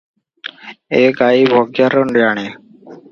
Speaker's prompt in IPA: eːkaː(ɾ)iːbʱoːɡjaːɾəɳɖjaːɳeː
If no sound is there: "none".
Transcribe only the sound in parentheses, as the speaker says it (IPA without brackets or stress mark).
none